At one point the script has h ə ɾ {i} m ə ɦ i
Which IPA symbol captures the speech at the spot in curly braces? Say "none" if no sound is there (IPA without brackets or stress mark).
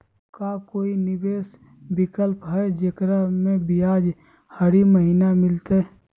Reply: i